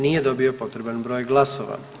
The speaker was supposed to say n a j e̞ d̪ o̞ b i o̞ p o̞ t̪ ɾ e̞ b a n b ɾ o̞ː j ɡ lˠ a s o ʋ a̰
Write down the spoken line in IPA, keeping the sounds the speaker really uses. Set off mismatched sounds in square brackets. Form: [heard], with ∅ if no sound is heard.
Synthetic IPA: n [i] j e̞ d̪ o̞ b i o̞ p o̞ t̪ ɾ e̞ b a n b ɾ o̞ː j ɡ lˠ a s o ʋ a̰